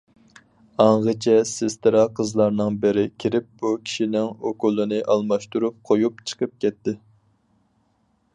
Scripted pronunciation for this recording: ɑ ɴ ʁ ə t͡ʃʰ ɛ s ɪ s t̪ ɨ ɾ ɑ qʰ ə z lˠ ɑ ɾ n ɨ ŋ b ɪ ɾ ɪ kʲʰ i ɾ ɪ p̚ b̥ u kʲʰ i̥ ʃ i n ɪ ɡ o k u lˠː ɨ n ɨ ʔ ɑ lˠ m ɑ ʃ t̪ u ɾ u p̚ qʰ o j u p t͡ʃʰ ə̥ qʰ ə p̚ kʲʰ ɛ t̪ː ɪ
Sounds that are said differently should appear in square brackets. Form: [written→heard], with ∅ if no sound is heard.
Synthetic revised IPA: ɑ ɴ ʁ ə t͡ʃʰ ɛ s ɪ s t̪ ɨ ɾ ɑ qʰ ə z lˠ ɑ ɾ n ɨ ŋ b ɪ ɾ ɪ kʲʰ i ɾ ɪ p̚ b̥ u kʲʰ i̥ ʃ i n ɪ [ɡ→ŋ] o k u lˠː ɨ n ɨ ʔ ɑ lˠ m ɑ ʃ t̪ u ɾ u p̚ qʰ o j u p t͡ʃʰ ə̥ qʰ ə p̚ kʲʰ ɛ t̪ː ɪ